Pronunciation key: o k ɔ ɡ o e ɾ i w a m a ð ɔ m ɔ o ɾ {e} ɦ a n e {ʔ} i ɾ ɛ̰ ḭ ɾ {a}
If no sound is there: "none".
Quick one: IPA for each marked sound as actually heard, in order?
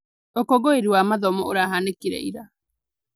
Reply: a, k, a

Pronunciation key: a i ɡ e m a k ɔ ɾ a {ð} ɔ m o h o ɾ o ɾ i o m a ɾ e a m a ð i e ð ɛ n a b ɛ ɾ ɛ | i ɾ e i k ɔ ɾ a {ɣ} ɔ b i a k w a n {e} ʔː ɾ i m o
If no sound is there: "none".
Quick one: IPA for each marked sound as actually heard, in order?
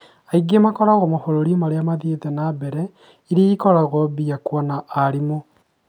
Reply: ɣ, ɣ, a

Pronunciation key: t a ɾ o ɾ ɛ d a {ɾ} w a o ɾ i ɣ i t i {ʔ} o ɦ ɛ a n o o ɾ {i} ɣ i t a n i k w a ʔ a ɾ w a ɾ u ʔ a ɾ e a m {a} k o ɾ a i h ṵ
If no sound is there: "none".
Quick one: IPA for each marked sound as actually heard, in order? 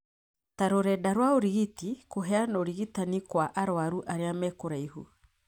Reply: ɾ, k, i, ɛ

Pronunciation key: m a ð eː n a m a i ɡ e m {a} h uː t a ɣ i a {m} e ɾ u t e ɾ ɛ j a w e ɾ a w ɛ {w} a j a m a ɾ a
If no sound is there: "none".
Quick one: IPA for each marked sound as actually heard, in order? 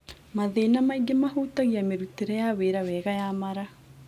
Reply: a, m, ɣ

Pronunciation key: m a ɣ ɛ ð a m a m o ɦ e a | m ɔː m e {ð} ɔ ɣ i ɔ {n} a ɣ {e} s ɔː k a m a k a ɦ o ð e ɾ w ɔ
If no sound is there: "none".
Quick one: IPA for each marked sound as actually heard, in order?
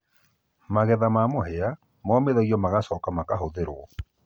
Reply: ð, m, a

